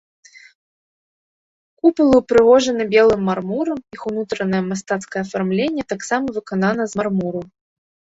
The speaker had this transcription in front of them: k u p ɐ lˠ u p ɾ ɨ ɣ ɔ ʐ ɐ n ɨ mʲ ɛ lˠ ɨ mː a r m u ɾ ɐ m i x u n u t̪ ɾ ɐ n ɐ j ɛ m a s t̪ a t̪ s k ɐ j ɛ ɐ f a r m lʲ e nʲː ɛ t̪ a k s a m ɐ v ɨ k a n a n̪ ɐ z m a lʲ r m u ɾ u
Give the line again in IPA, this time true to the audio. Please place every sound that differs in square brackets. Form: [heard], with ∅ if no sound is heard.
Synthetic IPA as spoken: k u p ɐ lˠ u p ɾ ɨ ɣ ɔ ʐ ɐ n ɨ [bʲ] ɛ lˠ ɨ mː a r m u ɾ ɐ m i x u n u t̪ ɾ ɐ n ɐ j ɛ m a s t̪ a t̪ s k ɐ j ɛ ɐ f a r m lʲ e nʲː ɛ t̪ a k s a m ɐ v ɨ k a n a n̪ ɐ z m a [∅] r m u ɾ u